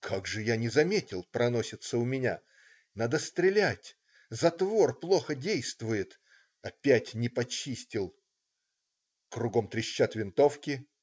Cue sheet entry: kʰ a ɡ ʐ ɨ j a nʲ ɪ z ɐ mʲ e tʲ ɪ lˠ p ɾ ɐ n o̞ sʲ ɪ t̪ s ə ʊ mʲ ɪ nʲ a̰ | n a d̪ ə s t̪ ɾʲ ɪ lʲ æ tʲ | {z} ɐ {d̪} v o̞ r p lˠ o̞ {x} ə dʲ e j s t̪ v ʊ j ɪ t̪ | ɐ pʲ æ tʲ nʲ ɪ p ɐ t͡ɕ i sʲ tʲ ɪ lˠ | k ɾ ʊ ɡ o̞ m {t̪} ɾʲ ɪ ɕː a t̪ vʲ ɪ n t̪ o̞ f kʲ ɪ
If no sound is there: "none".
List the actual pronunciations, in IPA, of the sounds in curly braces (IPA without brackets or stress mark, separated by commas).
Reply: z, t̪, x, t̪